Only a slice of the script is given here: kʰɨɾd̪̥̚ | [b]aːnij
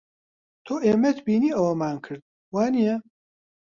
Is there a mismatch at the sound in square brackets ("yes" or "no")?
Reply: yes